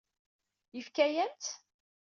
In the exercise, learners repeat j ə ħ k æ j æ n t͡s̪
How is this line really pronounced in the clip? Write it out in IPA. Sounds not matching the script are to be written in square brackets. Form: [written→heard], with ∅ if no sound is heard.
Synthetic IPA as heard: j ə [ħ→f] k æ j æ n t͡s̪